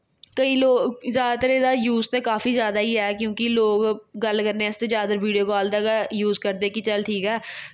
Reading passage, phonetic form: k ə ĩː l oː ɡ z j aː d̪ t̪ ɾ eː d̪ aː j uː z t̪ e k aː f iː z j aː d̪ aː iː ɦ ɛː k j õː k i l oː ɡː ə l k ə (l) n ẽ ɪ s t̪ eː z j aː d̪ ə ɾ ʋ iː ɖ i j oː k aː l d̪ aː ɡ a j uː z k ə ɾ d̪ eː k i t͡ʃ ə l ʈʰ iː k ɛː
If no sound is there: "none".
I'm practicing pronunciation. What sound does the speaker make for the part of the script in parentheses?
ɾ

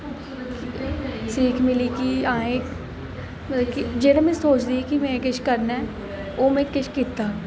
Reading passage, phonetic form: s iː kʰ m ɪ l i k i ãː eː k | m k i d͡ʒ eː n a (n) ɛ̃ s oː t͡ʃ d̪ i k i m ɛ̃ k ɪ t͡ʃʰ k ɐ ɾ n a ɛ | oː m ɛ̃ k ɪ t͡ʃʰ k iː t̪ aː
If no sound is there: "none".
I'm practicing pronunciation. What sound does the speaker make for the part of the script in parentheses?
m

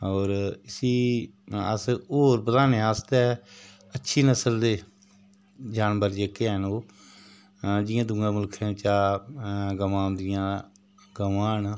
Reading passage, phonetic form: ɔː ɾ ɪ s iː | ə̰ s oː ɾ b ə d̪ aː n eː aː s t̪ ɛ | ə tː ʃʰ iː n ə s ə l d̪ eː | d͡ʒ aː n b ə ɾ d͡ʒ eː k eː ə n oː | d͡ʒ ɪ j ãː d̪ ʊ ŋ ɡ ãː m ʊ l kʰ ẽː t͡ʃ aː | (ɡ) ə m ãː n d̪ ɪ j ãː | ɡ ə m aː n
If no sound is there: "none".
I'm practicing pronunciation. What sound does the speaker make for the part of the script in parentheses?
ɡ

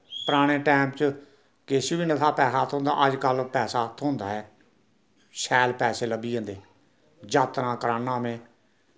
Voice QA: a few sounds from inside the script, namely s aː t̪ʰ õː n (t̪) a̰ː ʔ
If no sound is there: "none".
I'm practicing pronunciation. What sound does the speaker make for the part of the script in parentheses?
d̪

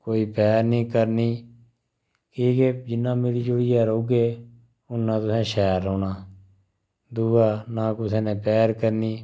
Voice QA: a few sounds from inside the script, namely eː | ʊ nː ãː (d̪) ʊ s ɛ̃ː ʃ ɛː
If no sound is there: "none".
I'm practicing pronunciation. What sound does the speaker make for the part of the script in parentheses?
t̪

